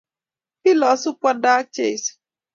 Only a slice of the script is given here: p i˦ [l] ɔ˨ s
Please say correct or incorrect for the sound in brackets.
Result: correct